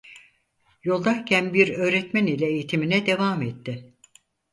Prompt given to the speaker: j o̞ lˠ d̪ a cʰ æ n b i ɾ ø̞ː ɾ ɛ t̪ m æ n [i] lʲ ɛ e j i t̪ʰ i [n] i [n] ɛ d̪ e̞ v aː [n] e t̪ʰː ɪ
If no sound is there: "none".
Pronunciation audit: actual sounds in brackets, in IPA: i, m, n, m

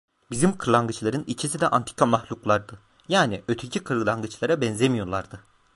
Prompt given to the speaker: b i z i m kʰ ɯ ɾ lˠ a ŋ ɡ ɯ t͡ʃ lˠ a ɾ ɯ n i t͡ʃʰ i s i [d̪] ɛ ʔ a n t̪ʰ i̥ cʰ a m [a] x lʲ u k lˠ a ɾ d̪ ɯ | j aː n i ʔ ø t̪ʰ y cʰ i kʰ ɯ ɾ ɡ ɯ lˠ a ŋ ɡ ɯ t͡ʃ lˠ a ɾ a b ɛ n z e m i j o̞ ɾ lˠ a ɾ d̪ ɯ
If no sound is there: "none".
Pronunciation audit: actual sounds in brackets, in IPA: d̪, a

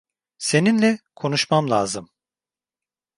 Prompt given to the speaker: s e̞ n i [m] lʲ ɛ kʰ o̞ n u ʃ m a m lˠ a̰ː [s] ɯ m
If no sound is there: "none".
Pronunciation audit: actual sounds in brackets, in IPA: n, z

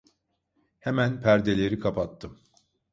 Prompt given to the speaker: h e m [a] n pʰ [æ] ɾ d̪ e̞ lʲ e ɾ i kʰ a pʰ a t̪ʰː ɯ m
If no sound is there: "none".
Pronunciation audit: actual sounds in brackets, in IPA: æ, æ

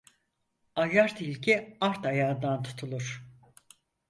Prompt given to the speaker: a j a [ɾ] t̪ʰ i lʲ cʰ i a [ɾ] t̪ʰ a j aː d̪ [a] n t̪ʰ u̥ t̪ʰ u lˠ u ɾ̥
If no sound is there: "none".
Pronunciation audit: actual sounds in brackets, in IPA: ɾ, ɾ, a

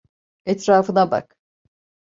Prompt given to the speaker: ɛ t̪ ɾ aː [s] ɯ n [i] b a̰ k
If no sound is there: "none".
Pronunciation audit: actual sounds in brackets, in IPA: f, a

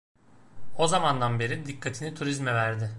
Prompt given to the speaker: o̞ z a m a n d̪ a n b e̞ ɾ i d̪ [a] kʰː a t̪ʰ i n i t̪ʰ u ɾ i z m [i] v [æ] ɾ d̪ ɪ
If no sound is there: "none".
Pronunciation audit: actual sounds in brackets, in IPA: i, ɛ, æ

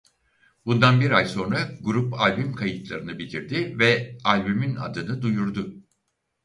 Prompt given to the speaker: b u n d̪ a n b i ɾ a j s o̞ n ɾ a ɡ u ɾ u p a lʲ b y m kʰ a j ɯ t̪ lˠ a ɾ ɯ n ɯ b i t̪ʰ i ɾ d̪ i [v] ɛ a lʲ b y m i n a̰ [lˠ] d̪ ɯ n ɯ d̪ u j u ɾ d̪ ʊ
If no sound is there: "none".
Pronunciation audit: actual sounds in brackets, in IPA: v, none

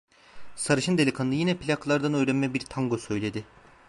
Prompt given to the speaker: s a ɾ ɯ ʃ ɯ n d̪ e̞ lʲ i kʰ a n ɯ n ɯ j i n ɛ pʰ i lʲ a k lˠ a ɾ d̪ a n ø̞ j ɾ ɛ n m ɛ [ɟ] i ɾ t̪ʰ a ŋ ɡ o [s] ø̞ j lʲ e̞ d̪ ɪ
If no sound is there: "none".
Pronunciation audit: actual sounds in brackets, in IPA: b, s

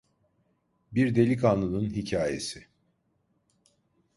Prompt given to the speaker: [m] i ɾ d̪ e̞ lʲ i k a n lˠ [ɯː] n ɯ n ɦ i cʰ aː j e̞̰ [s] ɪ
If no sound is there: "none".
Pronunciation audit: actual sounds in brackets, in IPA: b, ɯ, s

